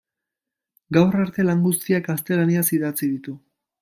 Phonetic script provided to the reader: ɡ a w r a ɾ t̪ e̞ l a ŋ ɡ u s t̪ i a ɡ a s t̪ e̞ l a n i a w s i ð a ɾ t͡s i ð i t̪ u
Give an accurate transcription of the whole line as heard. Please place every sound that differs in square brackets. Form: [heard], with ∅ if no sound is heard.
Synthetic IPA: ɡ a w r a ɾ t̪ e̞ l a ŋ ɡ u s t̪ i a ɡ a s t̪ e̞ l a n i a [∅] s i ð a [∅] t͡s i ð i t̪ u